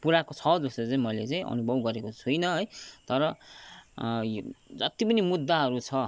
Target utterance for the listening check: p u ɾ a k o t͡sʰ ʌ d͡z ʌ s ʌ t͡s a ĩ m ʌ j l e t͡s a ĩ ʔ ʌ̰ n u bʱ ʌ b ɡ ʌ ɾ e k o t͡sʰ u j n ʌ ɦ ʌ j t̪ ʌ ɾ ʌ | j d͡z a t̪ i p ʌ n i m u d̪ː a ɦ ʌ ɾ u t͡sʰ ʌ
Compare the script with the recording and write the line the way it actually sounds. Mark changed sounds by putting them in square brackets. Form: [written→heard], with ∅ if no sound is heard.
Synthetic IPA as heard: p u ɾ a k o t͡sʰ ʌ d͡z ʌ s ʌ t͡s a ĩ m ʌ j l e t͡s a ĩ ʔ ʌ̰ n u bʱ ʌ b ɡ ʌ ɾ e k o t͡sʰ u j n ʌ ɦ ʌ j t̪ ʌ ɾ ʌ | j d͡z [a→ʌ] t̪ i p ʌ n i m u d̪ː a ɦ ʌ ɾ u t͡sʰ ʌ